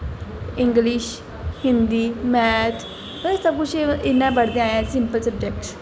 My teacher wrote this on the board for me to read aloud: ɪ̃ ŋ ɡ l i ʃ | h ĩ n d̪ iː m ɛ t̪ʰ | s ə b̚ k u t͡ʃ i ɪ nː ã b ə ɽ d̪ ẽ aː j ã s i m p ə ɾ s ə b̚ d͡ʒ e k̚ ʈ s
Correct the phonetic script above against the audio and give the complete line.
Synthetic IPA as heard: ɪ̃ ŋ ɡ l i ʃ | h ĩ n d̪ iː m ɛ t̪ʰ | s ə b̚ k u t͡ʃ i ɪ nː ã b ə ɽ d̪ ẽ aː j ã s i m p ə l s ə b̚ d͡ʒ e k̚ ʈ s